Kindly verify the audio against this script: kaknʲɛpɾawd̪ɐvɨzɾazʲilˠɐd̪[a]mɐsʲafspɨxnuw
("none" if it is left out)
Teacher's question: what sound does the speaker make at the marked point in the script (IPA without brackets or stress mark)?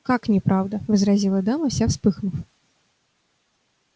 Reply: a